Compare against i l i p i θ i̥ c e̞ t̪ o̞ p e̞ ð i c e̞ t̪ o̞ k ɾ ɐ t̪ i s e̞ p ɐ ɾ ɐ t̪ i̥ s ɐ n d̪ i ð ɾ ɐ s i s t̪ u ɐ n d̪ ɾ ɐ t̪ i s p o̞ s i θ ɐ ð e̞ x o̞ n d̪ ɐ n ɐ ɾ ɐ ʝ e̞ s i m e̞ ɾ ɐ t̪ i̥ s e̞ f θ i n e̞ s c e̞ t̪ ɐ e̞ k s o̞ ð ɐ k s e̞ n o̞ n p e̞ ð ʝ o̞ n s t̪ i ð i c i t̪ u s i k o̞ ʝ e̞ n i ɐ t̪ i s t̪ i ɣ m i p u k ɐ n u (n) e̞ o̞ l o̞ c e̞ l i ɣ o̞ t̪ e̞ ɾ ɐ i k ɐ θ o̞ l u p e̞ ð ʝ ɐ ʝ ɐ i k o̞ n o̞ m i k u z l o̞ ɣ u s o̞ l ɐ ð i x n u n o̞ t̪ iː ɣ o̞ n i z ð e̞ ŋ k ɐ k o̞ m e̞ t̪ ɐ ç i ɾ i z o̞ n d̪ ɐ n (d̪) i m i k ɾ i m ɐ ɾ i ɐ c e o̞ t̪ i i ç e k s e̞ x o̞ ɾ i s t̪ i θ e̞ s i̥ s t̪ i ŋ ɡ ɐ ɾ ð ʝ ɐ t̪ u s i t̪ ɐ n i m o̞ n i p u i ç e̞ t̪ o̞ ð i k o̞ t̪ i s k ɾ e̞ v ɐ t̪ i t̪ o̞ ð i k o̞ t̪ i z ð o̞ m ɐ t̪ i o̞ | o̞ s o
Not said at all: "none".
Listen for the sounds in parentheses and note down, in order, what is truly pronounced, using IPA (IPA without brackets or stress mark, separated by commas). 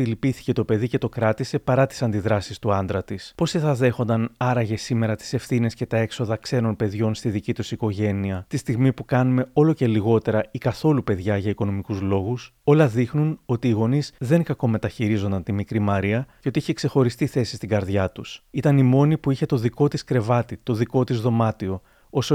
m, t̪